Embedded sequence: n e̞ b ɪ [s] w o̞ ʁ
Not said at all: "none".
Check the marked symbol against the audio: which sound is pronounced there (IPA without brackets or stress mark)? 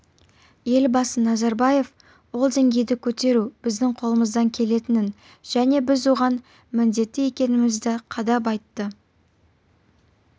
z